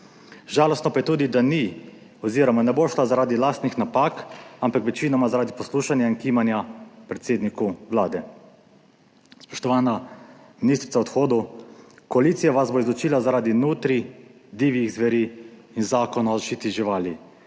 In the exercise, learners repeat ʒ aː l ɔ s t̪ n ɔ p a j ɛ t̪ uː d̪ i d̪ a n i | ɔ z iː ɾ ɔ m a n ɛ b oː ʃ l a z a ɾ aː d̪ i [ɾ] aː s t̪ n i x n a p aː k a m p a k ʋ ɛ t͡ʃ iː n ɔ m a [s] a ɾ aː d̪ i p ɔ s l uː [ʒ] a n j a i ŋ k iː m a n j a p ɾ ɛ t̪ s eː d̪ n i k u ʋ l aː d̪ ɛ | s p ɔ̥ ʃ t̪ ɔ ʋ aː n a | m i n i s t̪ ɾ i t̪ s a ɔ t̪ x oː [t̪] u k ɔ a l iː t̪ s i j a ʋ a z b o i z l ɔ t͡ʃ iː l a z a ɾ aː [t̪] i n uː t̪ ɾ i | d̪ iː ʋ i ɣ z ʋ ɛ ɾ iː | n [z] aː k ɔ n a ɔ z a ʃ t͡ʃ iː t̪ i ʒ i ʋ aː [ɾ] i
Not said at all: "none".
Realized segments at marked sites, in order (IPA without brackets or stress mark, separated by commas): l, z, ʃ, d̪, d̪, z, l